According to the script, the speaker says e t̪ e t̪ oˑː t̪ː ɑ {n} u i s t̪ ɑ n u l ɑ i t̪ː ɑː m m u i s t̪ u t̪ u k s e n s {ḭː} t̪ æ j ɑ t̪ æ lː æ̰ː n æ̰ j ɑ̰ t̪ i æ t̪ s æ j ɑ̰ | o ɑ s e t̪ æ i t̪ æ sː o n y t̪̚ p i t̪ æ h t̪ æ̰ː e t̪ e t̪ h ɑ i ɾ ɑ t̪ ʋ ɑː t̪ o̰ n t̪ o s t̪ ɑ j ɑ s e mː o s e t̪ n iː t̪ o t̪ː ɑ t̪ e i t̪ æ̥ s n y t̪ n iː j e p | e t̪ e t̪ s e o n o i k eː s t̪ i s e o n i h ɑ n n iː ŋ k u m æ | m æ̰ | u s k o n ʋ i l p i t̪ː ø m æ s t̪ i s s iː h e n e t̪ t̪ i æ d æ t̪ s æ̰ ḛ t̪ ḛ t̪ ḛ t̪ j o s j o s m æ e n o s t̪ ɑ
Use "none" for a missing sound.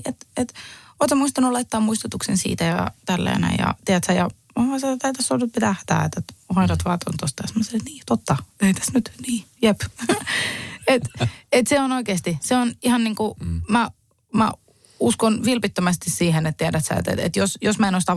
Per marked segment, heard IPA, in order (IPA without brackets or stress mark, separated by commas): m, ḭː